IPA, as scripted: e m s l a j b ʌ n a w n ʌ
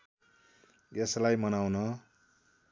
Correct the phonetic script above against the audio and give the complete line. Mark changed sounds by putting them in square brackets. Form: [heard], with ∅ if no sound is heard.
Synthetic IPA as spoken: e [∅] s l a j [m] ʌ n a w n ʌ